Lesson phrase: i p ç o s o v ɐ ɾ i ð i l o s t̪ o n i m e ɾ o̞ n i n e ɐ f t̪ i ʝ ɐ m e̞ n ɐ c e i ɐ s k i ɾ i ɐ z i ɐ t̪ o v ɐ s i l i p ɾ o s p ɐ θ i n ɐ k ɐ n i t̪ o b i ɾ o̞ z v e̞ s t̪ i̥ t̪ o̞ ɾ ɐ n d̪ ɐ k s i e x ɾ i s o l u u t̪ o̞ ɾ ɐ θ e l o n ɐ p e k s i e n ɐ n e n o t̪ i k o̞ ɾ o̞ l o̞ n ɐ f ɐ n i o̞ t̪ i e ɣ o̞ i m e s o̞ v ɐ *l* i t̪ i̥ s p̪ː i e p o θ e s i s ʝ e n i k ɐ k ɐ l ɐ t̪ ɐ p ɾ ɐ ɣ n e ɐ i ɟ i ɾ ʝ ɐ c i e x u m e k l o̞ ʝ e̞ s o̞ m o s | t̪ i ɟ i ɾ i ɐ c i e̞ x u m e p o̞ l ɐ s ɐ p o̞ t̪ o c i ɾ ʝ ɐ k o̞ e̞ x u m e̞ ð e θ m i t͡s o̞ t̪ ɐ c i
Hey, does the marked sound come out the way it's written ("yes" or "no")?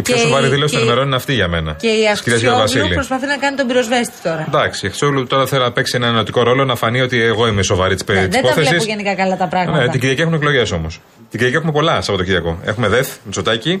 no